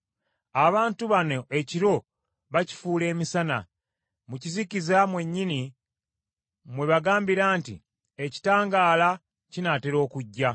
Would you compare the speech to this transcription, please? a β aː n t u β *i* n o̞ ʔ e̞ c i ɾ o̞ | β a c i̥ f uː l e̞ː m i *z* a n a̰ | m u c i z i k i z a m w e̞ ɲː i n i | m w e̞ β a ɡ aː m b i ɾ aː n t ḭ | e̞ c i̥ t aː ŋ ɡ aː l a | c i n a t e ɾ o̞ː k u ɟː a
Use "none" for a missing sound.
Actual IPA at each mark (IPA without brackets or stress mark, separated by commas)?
a, s